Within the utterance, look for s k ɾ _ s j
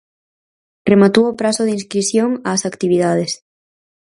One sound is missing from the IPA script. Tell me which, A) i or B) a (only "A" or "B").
A